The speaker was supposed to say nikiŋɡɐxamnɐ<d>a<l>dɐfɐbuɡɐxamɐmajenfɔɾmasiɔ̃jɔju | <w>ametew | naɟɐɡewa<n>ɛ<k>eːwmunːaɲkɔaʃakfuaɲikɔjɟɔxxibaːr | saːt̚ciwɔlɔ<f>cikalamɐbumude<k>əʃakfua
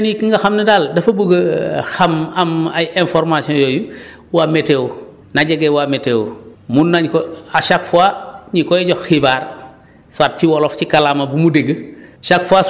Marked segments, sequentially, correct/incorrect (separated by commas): correct, correct, correct, incorrect, incorrect, correct, incorrect